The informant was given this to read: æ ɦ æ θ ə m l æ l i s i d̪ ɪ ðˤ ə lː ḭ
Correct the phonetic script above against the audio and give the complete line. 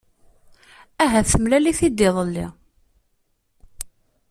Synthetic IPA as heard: æ ɦ æ θ ə m l æ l i θ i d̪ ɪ ðˤ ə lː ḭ